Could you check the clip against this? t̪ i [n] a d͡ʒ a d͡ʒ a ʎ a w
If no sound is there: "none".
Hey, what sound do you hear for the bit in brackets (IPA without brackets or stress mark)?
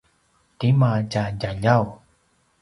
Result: m